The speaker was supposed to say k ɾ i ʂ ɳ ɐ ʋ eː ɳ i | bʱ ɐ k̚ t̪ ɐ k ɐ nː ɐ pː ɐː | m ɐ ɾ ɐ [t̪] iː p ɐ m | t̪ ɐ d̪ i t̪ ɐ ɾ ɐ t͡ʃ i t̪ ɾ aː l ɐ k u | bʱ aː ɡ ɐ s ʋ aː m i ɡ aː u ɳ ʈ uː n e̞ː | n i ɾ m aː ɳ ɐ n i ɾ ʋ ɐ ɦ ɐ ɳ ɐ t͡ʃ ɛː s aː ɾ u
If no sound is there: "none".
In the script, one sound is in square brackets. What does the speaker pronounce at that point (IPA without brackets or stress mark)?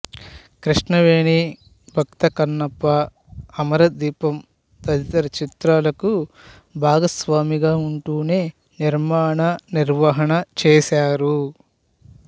d̪